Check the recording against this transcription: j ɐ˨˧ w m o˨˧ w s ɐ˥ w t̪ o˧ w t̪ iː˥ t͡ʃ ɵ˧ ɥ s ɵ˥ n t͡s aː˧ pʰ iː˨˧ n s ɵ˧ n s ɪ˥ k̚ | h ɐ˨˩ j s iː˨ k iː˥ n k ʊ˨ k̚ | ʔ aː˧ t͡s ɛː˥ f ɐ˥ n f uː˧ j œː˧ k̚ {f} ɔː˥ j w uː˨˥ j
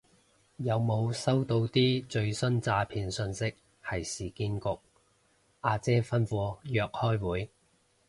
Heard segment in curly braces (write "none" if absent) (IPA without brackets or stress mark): h